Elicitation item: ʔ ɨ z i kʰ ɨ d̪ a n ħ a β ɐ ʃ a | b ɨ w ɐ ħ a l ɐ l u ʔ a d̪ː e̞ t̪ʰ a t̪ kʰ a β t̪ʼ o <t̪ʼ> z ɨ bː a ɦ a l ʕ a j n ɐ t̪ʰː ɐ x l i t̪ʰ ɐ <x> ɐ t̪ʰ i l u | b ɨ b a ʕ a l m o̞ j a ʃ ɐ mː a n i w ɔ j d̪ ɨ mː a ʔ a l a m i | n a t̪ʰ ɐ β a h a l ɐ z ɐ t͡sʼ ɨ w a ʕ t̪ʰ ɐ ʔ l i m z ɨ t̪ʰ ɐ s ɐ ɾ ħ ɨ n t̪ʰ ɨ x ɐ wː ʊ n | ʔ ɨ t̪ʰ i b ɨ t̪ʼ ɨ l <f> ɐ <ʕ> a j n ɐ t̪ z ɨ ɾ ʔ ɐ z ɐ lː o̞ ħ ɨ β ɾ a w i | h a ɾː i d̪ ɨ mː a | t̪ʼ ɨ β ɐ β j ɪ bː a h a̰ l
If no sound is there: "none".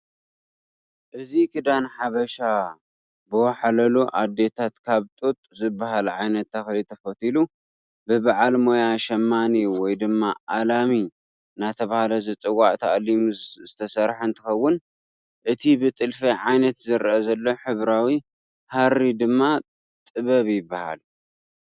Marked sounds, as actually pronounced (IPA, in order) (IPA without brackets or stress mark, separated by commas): t̪ʼ, f, f, ʕ